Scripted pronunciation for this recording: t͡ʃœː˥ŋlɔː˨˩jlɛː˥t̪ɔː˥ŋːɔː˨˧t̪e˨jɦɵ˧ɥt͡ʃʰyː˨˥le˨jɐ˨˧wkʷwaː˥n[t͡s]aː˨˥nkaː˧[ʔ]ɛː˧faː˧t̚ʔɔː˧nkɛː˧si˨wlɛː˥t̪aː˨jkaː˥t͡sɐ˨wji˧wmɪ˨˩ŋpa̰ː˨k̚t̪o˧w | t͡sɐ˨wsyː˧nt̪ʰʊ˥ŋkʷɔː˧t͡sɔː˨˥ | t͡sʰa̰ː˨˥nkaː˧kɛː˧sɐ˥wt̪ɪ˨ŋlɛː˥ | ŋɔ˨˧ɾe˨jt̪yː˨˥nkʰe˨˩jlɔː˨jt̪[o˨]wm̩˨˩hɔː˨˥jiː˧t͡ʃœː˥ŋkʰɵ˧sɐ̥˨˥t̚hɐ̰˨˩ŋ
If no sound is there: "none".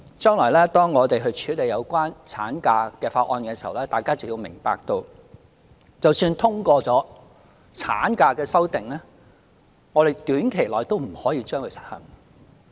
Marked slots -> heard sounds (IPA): t͡sʰ, k, o˥

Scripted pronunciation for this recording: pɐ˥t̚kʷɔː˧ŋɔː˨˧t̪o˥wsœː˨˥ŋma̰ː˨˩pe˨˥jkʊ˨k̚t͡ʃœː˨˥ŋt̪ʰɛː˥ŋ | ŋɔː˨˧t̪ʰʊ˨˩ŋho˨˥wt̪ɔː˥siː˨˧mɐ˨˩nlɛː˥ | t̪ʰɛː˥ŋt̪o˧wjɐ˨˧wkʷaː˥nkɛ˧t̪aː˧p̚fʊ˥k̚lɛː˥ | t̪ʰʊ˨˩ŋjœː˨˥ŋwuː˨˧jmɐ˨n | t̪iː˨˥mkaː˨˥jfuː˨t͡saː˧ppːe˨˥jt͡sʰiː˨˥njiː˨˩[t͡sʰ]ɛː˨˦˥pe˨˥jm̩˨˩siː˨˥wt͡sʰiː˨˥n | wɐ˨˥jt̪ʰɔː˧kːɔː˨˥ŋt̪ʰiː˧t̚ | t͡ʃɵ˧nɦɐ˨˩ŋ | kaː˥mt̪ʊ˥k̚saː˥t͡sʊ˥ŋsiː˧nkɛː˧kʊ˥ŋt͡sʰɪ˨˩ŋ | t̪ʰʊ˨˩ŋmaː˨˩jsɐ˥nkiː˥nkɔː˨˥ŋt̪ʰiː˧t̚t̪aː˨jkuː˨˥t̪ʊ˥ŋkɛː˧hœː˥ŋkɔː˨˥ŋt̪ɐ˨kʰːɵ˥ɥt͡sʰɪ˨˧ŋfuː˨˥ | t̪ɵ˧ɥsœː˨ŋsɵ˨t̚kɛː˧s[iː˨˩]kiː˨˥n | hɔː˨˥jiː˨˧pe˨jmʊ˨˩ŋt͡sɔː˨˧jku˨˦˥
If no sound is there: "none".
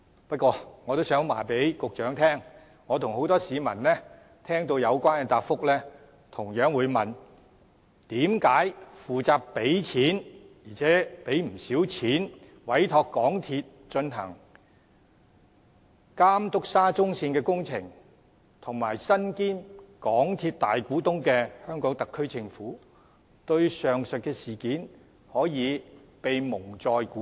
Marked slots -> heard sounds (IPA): t͡sʰ, iː˨˩

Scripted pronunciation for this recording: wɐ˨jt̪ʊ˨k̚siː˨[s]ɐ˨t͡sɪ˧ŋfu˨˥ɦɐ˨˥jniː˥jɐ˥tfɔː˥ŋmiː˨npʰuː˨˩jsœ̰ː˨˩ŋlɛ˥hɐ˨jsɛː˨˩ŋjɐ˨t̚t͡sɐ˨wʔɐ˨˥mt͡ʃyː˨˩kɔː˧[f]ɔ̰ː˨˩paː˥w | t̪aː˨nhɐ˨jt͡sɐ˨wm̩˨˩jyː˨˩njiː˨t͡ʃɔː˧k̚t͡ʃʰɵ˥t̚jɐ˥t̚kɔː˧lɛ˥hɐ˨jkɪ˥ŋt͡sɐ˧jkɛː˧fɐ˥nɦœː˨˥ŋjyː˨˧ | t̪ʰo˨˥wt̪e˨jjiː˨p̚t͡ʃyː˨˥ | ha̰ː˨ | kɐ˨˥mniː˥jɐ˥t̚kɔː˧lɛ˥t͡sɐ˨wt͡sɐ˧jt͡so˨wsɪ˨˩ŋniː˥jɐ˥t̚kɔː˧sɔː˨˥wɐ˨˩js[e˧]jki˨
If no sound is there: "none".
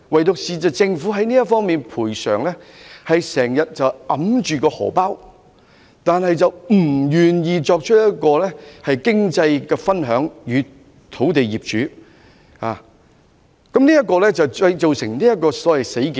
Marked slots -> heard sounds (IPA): t͡s, h, e˨˥

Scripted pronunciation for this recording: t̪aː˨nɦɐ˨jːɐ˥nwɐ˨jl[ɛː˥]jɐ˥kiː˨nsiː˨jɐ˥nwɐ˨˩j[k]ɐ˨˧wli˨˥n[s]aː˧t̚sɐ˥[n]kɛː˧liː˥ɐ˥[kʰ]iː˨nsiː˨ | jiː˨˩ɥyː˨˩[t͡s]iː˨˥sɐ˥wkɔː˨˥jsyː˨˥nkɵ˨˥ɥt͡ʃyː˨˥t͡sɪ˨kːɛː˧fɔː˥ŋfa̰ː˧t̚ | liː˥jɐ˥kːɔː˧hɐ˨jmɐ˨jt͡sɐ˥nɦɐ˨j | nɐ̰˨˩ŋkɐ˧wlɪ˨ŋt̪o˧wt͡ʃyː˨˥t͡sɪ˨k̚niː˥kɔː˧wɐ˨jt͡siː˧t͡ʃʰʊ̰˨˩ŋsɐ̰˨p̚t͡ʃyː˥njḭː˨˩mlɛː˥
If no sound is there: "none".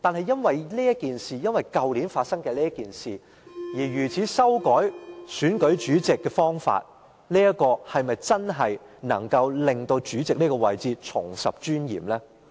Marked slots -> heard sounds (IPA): iː˥, k, f, ŋ, k, t͡sʰ

